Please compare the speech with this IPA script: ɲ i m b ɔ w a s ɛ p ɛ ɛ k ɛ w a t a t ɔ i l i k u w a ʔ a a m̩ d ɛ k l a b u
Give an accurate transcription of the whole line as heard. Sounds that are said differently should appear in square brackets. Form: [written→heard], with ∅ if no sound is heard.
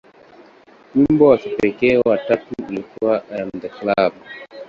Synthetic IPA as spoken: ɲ i m b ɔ w a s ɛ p ɛ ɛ k ɛ w a t a t [ɔ→u] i l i k u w a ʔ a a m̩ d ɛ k l a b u